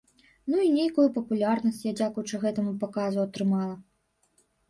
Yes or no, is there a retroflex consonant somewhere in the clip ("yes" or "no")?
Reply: yes